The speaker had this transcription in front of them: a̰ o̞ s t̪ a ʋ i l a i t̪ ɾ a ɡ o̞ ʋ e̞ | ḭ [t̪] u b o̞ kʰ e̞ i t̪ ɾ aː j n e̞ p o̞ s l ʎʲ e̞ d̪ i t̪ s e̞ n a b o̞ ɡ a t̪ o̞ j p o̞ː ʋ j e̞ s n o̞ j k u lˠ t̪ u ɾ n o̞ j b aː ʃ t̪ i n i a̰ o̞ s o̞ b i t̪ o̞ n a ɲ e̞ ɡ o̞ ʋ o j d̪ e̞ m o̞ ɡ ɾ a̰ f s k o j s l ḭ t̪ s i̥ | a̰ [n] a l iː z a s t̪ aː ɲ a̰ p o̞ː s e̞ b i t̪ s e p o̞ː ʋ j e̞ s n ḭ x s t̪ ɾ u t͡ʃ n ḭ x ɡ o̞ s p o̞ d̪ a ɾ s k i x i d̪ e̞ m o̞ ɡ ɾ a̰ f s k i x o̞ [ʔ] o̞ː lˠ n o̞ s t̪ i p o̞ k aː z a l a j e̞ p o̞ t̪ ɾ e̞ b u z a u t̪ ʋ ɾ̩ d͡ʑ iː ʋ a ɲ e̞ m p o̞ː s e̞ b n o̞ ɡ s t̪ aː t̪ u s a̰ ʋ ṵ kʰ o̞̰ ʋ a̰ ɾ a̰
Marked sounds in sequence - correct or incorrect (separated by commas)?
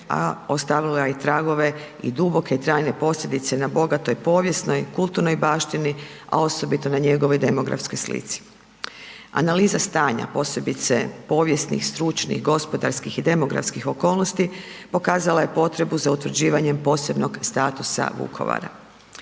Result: incorrect, correct, incorrect